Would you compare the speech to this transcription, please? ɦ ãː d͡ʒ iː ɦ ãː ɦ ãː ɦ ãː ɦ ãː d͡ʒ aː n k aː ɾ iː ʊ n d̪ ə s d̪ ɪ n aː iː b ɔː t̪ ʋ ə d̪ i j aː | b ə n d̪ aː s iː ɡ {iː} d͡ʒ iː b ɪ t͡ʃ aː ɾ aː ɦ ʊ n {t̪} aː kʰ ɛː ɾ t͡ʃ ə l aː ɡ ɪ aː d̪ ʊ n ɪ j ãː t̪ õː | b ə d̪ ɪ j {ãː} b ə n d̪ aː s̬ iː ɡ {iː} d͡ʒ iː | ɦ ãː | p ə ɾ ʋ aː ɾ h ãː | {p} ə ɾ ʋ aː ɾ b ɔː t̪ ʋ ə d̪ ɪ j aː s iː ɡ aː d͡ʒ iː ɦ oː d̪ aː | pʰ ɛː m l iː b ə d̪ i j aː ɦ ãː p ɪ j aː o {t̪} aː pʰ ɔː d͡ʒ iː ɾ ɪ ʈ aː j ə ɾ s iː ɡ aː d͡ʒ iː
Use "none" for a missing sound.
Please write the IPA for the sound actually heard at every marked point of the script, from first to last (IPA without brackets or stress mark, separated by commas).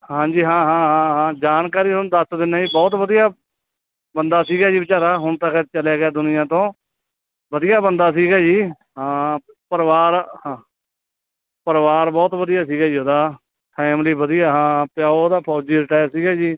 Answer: aː, t̪, aː, aː, p, d̪